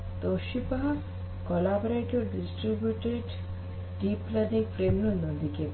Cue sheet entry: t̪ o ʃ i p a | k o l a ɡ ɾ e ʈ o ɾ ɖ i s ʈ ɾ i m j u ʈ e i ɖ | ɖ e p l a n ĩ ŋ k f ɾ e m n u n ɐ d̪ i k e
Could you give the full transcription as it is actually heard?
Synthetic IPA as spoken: t̪ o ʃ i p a | k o l a b ɾ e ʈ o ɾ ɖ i s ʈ ɾ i b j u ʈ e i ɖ | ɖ i p l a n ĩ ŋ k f ɾ e m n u n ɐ d̪ i k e